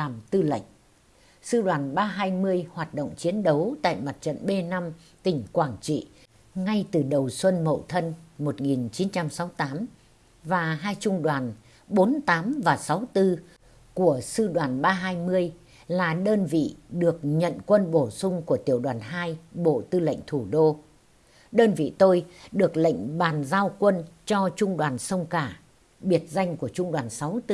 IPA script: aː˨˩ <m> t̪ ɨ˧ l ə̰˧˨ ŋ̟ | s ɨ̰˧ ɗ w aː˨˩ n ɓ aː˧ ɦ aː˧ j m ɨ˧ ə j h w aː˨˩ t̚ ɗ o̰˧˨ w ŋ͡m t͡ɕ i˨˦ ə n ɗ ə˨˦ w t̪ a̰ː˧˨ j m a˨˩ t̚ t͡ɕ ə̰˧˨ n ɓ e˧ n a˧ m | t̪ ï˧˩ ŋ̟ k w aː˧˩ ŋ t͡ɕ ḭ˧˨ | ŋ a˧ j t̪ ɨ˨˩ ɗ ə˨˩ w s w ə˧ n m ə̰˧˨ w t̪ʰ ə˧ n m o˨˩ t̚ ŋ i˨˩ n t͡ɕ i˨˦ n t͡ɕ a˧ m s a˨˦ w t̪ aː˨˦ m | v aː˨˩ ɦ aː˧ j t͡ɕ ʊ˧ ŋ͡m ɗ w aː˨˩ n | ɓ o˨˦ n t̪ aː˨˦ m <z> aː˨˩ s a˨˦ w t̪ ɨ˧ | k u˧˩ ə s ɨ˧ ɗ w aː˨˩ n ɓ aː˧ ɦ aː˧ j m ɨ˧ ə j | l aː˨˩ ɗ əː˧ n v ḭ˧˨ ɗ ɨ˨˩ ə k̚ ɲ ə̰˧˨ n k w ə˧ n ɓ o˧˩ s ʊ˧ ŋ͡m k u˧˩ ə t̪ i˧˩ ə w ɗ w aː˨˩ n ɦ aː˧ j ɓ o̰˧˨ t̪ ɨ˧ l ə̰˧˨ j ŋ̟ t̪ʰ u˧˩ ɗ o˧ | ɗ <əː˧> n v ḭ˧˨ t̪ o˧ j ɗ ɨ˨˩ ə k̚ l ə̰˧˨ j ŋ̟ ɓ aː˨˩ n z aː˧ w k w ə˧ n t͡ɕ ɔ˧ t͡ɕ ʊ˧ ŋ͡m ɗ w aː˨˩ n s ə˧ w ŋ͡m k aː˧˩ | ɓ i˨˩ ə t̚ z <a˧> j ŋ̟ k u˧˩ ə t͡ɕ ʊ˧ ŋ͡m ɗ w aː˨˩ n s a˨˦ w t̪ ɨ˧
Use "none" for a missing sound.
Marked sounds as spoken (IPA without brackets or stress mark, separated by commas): m, v, əː˧, a˧